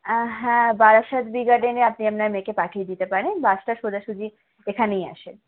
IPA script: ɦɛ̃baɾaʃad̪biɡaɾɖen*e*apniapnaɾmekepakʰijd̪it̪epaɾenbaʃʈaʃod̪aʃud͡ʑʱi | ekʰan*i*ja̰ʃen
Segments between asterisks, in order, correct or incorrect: correct, incorrect: e

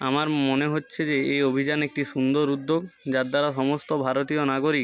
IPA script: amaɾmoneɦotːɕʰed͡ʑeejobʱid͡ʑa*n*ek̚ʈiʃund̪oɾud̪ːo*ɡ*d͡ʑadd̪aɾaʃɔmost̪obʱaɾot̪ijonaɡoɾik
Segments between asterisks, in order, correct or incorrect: correct, correct

